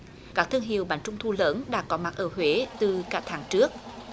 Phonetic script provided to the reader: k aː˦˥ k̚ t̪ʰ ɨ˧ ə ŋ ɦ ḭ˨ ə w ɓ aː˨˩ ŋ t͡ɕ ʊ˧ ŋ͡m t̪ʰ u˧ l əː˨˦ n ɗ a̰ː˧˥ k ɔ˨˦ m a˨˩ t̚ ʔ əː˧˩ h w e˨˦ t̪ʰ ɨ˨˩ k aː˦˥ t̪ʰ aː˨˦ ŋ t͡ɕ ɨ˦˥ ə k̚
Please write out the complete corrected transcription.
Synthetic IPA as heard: k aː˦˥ k̚ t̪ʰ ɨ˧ ə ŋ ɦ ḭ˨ ə w ɓ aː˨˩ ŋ t͡ɕ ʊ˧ ŋ͡m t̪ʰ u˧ l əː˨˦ n ɗ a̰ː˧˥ k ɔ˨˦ m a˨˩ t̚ ʔ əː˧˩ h w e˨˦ t̪ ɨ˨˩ k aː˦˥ t̪ʰ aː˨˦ ŋ t͡ɕ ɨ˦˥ ə k̚

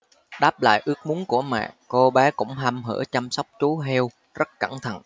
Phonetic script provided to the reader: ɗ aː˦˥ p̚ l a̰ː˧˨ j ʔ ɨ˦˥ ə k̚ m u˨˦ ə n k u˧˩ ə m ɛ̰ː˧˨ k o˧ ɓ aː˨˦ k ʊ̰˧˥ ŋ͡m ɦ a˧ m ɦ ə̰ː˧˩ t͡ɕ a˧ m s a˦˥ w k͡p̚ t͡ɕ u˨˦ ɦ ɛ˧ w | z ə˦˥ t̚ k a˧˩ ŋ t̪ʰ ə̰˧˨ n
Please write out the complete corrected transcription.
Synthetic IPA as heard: ɗ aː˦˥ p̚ l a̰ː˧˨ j ʔ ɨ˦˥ ə k̚ m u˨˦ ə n k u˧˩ ə m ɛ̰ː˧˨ k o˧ ɓ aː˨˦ k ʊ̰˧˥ ŋ͡m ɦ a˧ m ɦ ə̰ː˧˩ t͡ɕ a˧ m s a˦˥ w k͡p̚ t͡ɕ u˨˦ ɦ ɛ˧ w | z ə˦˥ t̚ k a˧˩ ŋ t̪ʰ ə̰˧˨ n

